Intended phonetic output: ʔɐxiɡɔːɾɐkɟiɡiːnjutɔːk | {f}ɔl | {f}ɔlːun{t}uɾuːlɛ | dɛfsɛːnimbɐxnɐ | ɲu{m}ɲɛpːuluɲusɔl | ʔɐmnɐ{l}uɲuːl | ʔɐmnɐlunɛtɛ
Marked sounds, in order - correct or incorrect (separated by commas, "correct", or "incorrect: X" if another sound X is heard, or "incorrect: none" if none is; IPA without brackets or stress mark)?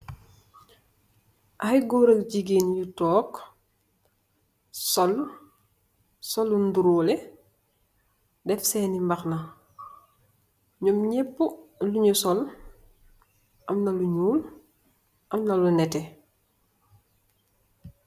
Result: incorrect: s, incorrect: s, incorrect: d, correct, correct